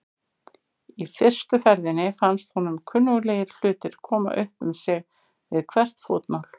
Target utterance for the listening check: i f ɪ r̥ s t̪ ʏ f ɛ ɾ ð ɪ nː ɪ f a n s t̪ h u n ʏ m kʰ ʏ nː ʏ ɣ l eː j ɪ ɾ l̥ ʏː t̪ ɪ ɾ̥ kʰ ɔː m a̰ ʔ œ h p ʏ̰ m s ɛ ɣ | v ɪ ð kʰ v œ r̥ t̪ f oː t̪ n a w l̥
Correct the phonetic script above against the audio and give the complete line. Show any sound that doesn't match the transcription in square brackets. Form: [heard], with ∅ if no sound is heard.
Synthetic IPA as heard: i f ɪ r̥ s t̪ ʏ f ɛ ɾ ð ɪ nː ɪ f a n s t̪ h u n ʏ m kʰ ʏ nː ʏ ɣ l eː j ɪ ɾ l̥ ʏː t̪ ɪ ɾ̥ kʰ ɔː m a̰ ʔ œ h p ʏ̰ m s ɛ ɣ | v ɪ ð kʰ v [ɛ] r̥ t̪ f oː t̪ n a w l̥